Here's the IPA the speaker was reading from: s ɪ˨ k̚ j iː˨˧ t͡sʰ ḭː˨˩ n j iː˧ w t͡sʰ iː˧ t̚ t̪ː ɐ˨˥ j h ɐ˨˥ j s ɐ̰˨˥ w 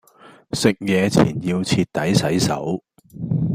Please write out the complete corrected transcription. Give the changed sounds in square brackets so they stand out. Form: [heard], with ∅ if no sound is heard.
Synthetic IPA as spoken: s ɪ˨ k̚ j [ɛː˨˧] t͡sʰ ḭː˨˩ n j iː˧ w t͡sʰ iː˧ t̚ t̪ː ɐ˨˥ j [s] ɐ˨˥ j s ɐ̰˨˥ w

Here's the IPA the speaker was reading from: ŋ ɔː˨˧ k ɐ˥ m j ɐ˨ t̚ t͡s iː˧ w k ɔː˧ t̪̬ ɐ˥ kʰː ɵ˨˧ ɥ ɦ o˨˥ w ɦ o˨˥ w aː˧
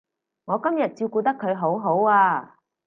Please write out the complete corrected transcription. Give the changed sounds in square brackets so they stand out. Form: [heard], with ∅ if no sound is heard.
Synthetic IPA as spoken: ŋ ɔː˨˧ k ɐ˥ m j ɐ˨ t̚ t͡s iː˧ w k [uː˧] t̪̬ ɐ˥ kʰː ɵ˨˧ ɥ ɦ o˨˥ w ɦ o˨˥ w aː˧

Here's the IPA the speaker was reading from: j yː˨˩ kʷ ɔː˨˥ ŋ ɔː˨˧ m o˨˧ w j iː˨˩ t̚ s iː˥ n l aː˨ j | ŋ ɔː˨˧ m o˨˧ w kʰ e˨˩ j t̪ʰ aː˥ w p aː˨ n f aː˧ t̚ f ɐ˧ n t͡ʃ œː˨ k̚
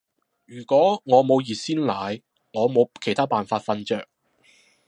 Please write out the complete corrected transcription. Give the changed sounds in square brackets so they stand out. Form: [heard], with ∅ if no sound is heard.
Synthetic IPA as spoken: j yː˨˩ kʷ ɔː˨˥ ŋ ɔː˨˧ m o˨˧ w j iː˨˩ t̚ s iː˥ n l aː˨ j | ŋ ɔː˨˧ m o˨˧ w kʰ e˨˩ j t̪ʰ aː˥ [∅] p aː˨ n f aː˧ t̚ f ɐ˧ n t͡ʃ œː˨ k̚

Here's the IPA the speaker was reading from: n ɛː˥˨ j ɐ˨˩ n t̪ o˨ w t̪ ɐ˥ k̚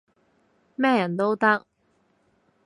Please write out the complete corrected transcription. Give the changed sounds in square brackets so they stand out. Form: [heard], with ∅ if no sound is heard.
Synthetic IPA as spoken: [m] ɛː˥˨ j ɐ˨˩ n t̪ [o˥] w t̪ ɐ˥ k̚

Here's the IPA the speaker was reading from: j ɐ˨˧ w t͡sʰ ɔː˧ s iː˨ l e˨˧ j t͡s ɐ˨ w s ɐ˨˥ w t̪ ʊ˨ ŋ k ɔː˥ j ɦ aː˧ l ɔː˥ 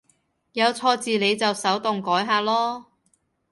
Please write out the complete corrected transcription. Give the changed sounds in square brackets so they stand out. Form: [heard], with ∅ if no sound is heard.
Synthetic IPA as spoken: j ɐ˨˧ w t͡sʰ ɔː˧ [t͡s] iː˨ l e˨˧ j t͡s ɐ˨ w s ɐ˨˥ w t̪ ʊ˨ ŋ k [ɔː˨˥] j ɦ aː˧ l ɔː˥

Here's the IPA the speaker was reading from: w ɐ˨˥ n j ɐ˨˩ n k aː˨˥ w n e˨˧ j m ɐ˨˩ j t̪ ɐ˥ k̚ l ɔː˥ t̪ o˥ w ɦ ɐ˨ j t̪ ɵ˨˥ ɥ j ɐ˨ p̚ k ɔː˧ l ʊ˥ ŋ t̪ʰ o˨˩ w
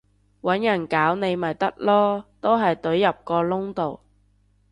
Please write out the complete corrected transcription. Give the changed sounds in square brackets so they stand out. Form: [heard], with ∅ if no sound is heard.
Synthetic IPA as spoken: w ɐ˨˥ n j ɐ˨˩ n k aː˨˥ w n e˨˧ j m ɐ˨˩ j t̪ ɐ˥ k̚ l ɔː˥ t̪ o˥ w ɦ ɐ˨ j t̪ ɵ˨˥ ɥ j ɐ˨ p̚ k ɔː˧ l ʊ˥ ŋ [t̪] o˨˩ w

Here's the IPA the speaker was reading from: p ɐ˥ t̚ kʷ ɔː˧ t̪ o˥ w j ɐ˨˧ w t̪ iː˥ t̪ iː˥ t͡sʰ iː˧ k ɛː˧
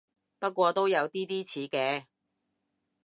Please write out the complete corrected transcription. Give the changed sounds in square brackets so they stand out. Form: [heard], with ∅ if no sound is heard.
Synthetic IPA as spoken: p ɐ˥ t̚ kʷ ɔː˧ t̪ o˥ w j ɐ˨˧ w t̪ iː˥ t̪ iː˥ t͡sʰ [iː˨˥] k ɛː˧

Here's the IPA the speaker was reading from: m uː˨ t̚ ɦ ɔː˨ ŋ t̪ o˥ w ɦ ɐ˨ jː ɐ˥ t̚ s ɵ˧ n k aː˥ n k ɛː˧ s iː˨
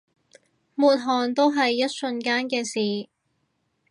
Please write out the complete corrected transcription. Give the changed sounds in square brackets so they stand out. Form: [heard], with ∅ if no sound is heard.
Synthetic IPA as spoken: m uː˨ t̚ ɦ ɔː˨ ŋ t̪ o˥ w ɦ ɐ˨ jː ɐ˥ t̚ s ɵ˧ n k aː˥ n k ɛː˧ s iː˨

